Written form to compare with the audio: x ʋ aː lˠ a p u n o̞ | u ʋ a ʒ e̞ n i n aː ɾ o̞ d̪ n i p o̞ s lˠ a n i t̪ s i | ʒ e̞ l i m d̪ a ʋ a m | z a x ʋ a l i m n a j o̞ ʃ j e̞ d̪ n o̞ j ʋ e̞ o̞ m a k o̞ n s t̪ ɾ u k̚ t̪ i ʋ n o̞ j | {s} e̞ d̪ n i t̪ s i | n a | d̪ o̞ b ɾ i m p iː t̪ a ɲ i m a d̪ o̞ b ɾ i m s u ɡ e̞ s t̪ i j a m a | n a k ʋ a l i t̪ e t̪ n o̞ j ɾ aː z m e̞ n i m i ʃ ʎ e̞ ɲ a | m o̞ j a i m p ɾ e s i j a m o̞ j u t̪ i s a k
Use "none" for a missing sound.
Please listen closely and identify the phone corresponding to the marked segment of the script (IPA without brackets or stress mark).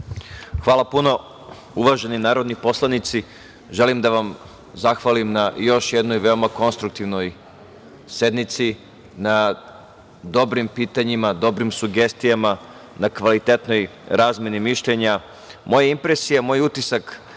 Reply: s